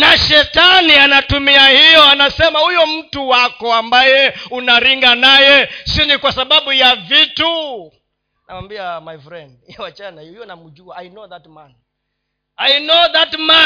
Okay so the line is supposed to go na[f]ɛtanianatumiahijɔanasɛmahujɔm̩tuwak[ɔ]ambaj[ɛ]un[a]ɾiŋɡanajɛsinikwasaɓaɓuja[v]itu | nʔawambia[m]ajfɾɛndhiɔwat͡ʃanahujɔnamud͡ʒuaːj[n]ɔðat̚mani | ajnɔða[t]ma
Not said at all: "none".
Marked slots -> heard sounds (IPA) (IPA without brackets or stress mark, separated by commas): ʃ, ɔ, ɛ, a, v, m, n, t